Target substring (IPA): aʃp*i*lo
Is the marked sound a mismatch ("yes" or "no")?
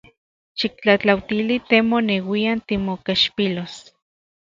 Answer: no